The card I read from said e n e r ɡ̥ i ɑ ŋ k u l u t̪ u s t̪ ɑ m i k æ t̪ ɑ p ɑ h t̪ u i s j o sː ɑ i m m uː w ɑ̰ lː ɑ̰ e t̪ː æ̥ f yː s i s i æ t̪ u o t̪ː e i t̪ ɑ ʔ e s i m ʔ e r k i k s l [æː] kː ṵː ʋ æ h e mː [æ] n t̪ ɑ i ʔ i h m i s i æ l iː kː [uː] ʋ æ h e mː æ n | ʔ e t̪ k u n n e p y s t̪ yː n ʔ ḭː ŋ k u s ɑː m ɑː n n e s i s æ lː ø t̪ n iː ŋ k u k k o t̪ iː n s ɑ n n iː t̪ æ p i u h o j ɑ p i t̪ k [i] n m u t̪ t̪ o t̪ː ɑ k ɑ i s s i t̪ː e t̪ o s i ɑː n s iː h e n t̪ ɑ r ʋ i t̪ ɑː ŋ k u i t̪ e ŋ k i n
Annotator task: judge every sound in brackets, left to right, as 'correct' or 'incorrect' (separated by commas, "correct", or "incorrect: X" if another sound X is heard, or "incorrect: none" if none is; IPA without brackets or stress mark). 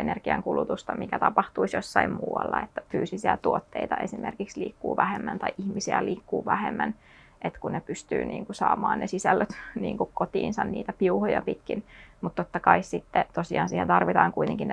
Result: incorrect: iː, correct, correct, correct